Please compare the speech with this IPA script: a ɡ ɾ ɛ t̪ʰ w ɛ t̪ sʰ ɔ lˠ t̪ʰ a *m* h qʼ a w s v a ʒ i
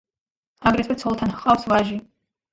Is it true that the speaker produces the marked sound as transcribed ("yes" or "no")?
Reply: no